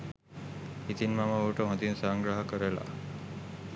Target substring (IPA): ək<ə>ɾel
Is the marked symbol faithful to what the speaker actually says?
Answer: yes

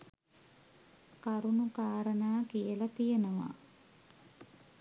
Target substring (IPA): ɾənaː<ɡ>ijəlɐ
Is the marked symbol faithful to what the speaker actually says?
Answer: no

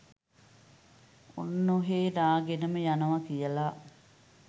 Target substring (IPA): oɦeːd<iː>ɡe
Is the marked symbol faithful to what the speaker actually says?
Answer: no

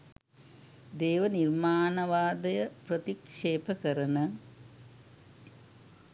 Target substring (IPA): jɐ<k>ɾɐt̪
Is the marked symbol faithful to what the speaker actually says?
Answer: no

